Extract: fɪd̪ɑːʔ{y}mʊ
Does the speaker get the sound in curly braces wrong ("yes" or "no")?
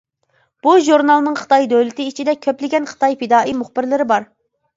yes